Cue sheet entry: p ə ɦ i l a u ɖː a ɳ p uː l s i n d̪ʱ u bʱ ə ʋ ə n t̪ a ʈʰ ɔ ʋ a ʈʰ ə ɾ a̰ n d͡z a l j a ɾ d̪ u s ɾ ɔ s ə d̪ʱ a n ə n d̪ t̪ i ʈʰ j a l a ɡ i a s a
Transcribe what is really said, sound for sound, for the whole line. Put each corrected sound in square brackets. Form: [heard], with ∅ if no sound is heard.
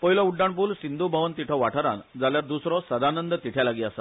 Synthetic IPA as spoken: p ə ɦ i l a u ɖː a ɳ p uː l s i n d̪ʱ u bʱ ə ʋ ə n t̪ [i] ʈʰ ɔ ʋ a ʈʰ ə ɾ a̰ n d͡z a l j a ɾ d̪ u s ɾ ɔ s ə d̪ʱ a n ə n d̪ t̪ i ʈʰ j a l a ɡ i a s a